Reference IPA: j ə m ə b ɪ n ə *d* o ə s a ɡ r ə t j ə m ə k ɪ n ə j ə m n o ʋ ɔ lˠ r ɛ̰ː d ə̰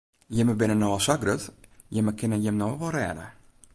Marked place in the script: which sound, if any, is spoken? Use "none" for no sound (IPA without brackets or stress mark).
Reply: n